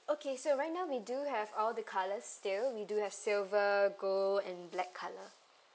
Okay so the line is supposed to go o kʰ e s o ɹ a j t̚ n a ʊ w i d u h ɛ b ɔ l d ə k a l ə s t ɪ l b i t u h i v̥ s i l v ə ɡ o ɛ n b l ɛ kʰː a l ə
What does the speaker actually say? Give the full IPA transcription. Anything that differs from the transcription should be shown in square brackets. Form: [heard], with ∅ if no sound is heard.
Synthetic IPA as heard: o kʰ e s o ɹ a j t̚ n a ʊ w i d u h ɛ [v] ɔ l d ə [kʰ] a l ə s t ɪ l [w] i [d] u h [ɛ] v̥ s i l v ə ɡ o [ɛ̃] n b l ɛ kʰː a l ə